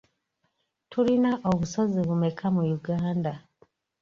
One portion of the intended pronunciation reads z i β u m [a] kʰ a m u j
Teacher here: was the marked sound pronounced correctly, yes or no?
no